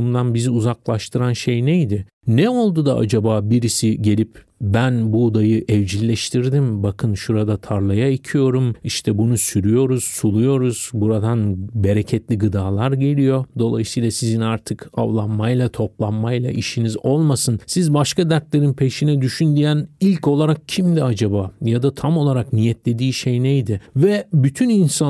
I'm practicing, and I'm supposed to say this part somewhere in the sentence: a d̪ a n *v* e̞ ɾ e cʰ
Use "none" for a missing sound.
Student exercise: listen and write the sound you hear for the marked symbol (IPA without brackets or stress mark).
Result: b